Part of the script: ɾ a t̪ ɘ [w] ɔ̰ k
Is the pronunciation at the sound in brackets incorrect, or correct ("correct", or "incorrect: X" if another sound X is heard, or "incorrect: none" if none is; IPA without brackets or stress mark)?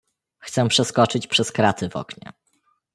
incorrect: v